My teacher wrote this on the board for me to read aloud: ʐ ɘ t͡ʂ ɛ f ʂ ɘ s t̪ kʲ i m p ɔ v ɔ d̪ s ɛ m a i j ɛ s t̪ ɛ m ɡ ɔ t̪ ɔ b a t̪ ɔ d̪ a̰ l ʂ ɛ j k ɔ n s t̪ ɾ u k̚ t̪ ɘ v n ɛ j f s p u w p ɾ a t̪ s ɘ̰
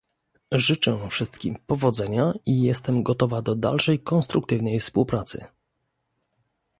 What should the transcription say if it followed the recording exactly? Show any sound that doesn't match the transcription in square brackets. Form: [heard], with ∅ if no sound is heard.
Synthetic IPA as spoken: ʐ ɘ t͡ʂ ɛ f ʂ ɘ s t̪ kʲ i m p ɔ v ɔ d̪ [z] ɛ [ɲ] a i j ɛ s t̪ ɛ m ɡ ɔ t̪ ɔ [v] a [d̪] ɔ d̪ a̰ l ʂ ɛ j k ɔ n s t̪ ɾ u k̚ t̪ ɘ v n ɛ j f s p u w p ɾ a t̪ s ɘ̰